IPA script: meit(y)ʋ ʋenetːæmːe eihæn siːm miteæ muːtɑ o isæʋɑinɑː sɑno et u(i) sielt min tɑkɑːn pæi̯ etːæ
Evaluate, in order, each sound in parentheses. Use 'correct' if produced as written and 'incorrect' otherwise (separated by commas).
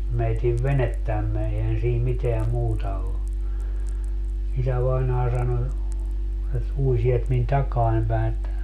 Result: incorrect, correct